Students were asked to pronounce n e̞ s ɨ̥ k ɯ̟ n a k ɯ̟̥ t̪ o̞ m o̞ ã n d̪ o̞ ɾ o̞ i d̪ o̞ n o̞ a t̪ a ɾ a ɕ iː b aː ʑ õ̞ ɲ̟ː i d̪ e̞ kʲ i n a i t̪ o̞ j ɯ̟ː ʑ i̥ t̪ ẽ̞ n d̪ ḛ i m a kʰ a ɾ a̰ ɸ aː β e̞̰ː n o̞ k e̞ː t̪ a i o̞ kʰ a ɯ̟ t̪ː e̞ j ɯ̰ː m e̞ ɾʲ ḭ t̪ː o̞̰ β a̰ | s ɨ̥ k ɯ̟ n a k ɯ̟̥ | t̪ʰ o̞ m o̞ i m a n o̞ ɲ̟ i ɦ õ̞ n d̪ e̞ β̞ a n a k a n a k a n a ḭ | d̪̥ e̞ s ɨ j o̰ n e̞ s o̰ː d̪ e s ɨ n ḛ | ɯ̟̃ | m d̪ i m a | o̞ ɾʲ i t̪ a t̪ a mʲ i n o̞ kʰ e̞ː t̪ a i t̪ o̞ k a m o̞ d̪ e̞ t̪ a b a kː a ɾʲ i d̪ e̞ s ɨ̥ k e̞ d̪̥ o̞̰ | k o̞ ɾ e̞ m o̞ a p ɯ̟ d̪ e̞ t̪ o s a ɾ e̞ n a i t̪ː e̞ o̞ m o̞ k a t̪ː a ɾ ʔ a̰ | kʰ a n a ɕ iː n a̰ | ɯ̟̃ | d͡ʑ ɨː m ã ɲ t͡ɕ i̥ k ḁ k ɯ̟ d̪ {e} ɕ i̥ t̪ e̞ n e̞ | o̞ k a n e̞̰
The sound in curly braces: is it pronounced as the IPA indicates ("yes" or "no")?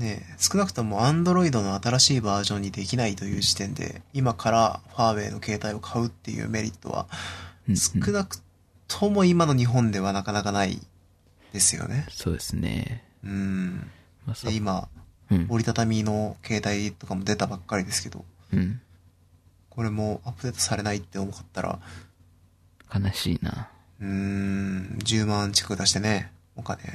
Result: no